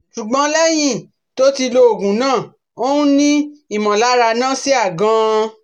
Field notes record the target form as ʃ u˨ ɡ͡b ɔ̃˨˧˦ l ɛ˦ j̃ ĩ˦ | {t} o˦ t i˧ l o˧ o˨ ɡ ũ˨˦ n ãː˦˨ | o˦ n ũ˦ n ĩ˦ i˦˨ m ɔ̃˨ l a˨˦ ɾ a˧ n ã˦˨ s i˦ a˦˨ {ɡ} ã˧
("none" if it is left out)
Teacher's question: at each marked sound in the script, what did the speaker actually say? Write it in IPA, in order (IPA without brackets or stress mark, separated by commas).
t, ɡ